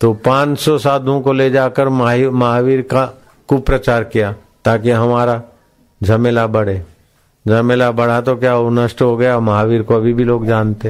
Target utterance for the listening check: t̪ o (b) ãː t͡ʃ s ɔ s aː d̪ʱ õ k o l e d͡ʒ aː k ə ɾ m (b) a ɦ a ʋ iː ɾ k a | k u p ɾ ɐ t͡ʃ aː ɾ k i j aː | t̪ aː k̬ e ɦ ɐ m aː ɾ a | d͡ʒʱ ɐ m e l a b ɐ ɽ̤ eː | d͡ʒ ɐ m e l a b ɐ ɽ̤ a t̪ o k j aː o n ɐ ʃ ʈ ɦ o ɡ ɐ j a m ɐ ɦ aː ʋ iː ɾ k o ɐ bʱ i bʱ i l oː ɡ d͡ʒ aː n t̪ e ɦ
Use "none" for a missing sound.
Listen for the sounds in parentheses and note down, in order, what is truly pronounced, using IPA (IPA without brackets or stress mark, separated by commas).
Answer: p, m